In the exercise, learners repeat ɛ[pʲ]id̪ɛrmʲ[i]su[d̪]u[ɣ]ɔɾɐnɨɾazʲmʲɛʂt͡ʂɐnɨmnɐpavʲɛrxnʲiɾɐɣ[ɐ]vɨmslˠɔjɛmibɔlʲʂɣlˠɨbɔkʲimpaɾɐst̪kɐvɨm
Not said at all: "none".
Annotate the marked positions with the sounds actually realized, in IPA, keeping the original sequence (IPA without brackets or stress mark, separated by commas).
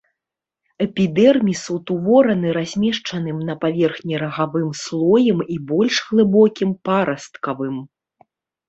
pʲ, i, t̪, v, a